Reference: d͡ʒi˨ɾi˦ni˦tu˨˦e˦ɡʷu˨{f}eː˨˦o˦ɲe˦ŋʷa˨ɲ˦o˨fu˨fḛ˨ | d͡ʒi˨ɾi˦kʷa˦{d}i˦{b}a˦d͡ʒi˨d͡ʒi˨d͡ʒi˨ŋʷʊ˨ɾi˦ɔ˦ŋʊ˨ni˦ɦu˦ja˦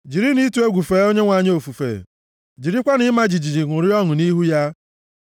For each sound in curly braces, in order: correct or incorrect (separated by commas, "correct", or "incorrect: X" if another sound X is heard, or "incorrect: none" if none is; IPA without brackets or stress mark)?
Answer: correct, incorrect: n, incorrect: m